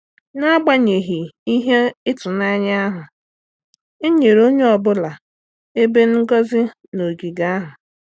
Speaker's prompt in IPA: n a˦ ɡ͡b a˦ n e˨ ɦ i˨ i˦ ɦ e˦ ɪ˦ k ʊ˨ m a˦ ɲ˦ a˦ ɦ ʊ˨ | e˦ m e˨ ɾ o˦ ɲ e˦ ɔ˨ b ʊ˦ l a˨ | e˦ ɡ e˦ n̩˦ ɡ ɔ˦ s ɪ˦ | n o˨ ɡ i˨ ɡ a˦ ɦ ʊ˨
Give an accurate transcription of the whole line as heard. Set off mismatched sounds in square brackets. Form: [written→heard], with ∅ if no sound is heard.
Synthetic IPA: n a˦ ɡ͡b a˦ [n→ɲ] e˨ ɦ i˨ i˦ ɦ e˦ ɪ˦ [k→t] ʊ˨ [m→n] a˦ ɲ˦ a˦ ɦ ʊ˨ | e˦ [m→ɲ] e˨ ɾ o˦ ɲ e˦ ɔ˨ b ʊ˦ l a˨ | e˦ [ɡ→b] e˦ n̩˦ ɡ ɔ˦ [s→z] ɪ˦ | n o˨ ɡ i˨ ɡ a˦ ɦ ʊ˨